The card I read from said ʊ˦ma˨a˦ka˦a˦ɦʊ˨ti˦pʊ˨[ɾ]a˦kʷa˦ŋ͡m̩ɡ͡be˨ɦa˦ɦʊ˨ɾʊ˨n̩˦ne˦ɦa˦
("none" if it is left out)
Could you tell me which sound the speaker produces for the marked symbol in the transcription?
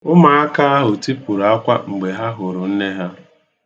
ɾ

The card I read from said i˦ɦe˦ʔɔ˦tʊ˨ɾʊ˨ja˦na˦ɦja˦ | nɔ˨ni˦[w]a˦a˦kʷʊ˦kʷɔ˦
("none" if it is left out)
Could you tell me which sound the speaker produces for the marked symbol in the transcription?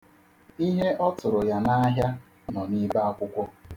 b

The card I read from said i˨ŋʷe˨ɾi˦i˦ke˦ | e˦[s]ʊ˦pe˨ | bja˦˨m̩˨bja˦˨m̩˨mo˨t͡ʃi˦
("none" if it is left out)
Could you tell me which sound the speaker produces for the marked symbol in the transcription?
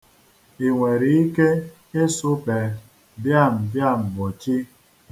s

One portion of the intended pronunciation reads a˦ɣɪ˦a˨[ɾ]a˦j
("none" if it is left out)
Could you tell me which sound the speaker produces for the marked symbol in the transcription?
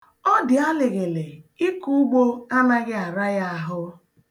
ɾ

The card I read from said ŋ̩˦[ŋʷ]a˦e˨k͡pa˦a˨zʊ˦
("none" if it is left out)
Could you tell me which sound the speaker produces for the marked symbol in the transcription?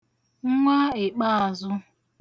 ŋʷ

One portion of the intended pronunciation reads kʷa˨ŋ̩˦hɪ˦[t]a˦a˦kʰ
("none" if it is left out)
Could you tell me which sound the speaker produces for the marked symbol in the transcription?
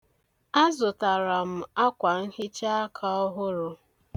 t͡ʃ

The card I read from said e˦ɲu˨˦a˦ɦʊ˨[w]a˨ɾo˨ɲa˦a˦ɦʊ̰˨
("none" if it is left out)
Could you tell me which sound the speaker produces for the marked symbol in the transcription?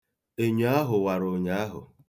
w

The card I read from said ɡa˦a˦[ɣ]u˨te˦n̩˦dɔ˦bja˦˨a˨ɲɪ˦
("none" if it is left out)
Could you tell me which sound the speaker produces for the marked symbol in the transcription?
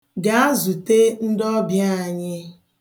z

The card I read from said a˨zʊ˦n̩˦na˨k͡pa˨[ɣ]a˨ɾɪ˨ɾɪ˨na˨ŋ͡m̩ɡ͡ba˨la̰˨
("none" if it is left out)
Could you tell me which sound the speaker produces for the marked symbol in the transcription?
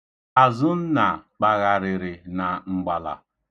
ɣ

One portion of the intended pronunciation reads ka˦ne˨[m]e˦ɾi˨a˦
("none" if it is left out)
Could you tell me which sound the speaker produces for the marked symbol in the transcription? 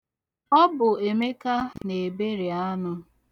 b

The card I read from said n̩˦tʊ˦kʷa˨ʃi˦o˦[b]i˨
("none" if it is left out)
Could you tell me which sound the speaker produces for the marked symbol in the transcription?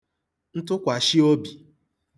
b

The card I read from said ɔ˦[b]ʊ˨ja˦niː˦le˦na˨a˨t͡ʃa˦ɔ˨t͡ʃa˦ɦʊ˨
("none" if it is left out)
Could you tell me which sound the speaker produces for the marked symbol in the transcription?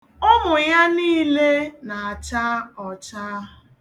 m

